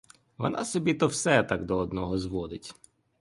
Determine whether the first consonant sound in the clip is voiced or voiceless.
voiced